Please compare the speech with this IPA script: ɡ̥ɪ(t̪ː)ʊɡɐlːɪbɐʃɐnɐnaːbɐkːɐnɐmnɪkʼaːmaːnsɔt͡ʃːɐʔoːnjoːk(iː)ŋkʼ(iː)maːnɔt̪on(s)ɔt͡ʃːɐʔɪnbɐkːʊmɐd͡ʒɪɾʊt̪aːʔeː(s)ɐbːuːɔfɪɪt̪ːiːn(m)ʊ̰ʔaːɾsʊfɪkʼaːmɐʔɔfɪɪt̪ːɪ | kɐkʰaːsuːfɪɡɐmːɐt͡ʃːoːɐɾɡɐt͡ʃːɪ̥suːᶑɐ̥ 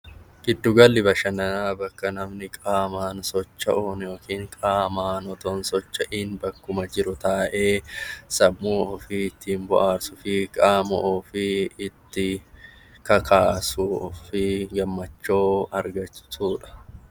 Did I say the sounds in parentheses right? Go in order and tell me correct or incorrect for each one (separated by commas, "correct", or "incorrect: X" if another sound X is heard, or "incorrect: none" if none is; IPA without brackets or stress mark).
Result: incorrect: d̪ː, correct, incorrect: aː, correct, correct, incorrect: b